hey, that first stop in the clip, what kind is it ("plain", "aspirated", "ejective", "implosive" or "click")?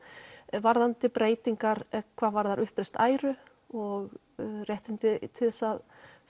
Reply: plain